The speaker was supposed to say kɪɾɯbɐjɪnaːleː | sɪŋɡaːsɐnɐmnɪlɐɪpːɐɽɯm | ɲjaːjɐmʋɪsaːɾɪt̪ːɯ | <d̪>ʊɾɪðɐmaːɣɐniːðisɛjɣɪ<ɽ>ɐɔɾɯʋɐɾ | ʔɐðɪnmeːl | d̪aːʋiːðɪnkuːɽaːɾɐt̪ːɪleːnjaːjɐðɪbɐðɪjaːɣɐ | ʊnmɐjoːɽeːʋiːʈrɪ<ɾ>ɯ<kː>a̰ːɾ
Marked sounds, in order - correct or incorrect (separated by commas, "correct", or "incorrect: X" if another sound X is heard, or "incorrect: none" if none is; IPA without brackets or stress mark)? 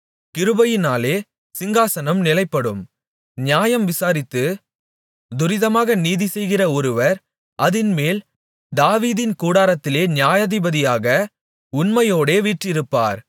correct, incorrect: r, correct, incorrect: pː